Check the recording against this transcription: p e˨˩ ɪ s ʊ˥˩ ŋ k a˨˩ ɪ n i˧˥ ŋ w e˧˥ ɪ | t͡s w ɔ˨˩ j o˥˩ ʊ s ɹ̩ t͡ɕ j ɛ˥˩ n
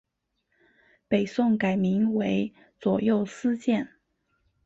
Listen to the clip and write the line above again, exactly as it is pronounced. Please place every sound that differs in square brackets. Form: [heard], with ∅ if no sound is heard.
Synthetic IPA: p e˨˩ ɪ s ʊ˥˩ ŋ k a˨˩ ɪ [m] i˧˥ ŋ w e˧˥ ɪ | t͡s w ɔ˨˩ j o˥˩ ʊ s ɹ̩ t͡ɕ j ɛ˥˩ n